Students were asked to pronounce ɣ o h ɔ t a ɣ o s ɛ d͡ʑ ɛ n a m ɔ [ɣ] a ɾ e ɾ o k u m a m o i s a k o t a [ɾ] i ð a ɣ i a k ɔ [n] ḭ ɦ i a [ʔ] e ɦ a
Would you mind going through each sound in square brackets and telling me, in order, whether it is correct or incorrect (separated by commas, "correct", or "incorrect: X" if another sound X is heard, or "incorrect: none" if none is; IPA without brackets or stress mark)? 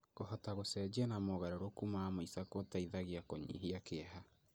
correct, incorrect: none, incorrect: ɲ, incorrect: k